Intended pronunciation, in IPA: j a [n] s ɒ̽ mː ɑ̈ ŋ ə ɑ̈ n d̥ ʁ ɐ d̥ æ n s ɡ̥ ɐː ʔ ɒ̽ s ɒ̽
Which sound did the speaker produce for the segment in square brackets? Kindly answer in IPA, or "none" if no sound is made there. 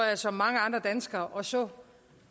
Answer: none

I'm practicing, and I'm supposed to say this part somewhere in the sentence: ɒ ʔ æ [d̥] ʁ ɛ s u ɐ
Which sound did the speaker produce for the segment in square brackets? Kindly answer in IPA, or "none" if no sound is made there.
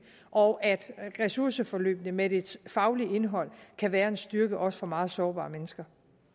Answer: d̥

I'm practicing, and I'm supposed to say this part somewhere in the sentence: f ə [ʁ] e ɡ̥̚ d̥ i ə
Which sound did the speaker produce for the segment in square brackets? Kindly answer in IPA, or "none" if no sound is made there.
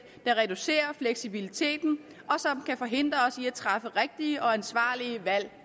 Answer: ʁ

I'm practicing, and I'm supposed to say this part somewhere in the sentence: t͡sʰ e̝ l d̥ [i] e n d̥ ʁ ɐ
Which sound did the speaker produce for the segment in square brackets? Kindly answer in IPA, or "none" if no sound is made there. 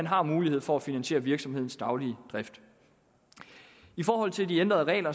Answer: i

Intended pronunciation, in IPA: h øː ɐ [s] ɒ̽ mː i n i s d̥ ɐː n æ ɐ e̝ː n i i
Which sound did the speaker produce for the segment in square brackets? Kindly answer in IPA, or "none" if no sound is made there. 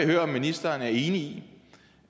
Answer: none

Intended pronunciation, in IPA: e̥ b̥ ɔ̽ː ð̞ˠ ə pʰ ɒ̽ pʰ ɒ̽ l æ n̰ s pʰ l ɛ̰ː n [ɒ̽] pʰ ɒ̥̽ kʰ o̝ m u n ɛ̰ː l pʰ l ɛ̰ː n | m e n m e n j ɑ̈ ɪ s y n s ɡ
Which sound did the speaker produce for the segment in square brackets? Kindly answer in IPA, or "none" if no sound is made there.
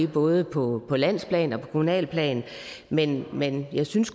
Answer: ɒ̽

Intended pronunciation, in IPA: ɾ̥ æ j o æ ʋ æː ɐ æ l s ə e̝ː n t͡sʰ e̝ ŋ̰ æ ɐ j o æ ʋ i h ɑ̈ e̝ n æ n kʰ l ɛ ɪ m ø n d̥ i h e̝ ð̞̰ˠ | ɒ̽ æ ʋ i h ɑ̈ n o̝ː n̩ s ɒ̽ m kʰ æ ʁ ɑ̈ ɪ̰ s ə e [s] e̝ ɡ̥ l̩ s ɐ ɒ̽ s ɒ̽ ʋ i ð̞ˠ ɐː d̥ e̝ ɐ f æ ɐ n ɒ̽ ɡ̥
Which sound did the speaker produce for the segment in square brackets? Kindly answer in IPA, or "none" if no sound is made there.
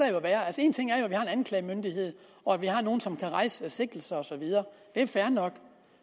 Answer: s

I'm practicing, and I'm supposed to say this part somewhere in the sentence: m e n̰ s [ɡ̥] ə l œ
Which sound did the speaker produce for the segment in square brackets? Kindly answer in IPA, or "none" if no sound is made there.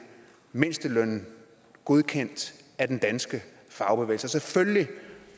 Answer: d̥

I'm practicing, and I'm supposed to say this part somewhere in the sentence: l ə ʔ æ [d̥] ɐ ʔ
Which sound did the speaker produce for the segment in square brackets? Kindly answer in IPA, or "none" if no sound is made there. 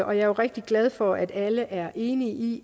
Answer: none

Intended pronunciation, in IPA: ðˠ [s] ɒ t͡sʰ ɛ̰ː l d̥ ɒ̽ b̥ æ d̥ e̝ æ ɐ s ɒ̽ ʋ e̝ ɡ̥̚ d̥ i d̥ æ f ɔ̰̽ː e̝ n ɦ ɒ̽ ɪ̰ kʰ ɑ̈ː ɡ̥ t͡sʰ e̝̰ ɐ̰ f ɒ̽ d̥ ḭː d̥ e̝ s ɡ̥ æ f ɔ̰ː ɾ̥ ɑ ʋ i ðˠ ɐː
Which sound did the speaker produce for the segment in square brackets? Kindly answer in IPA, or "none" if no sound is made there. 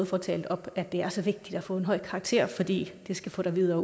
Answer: f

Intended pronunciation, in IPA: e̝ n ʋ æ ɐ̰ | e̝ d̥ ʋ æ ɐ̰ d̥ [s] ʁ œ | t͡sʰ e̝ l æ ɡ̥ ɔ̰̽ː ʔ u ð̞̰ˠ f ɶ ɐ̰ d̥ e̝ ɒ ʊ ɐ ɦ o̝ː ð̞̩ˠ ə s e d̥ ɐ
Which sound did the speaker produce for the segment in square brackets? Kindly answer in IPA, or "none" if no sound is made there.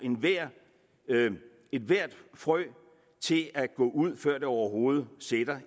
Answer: f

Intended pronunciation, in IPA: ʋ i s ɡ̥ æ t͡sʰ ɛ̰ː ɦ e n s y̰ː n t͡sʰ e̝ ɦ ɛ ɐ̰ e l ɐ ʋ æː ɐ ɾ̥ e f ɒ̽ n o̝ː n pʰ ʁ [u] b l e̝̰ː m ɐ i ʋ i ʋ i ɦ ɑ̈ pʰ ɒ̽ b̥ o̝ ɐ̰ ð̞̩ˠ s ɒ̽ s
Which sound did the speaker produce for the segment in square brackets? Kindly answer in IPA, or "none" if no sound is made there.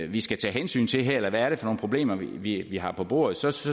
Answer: o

